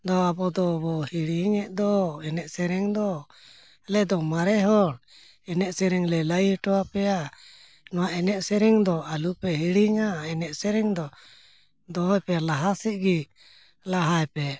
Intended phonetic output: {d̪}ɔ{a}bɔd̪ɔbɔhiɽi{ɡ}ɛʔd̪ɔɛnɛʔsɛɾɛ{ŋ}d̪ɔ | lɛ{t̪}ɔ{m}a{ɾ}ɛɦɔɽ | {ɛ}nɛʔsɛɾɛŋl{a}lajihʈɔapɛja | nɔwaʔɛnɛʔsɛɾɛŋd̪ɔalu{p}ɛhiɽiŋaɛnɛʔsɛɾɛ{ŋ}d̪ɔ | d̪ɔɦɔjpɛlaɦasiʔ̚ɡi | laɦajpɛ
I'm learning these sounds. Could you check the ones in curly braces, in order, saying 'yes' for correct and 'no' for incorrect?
yes, yes, no, yes, no, yes, yes, yes, no, yes, yes

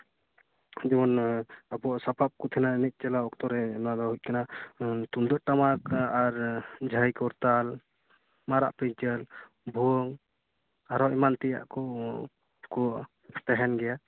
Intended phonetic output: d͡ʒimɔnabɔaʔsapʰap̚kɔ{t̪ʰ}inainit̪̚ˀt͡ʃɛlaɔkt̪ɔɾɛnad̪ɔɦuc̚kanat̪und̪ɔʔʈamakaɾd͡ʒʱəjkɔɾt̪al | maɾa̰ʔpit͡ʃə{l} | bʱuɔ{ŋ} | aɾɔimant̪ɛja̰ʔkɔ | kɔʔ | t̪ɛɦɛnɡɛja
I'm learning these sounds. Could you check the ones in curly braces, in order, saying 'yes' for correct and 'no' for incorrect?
yes, yes, yes

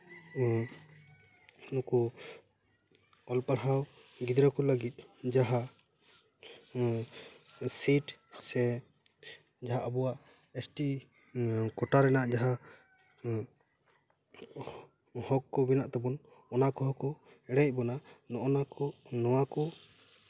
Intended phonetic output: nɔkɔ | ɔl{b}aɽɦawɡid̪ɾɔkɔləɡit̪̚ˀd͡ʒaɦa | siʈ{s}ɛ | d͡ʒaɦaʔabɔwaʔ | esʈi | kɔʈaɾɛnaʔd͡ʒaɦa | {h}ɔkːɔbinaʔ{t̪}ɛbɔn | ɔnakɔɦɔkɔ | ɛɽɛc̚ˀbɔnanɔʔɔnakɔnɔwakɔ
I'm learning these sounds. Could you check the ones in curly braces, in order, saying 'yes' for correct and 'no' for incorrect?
no, yes, yes, yes

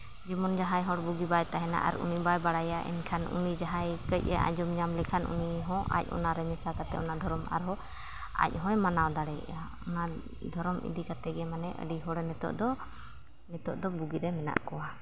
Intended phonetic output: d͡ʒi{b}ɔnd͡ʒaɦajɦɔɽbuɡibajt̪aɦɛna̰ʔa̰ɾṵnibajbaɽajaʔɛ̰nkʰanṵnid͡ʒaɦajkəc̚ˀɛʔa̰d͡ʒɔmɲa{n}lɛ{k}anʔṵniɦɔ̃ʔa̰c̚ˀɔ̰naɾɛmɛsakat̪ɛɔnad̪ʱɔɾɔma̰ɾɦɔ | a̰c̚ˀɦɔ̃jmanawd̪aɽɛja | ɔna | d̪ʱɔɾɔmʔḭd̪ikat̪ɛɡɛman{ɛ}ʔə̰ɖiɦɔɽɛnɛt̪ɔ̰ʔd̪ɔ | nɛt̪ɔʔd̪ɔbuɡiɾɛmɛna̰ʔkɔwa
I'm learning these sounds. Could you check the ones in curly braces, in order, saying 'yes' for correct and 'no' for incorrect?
no, no, no, yes

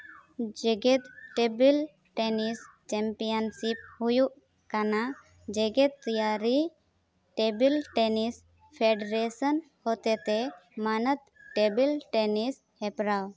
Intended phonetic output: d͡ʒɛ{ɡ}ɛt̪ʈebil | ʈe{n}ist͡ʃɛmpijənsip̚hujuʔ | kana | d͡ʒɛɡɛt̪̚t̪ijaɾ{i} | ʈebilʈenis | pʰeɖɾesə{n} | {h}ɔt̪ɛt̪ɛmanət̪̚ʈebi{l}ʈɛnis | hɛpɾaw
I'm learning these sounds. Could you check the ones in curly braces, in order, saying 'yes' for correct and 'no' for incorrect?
yes, yes, yes, yes, yes, yes

